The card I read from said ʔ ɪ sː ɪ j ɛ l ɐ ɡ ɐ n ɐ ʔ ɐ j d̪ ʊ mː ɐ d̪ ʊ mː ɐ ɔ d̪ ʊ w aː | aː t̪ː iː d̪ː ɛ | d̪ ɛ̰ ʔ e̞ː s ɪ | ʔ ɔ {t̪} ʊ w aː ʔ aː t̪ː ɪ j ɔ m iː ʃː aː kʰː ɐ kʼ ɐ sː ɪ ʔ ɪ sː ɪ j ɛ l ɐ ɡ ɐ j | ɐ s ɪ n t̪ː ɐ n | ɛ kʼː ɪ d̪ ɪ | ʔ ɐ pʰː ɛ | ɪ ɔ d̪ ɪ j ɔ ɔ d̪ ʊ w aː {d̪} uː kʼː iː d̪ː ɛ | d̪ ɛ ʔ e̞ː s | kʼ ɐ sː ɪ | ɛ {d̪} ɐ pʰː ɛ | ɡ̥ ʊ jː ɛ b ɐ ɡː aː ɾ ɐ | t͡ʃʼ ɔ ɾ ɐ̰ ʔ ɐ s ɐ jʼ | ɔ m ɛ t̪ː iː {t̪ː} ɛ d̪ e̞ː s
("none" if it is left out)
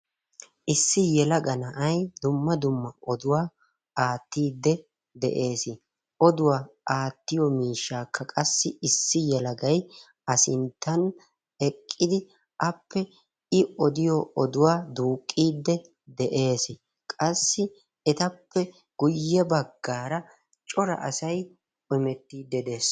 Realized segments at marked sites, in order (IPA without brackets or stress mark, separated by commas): d̪, d̪, t̪, d̪ː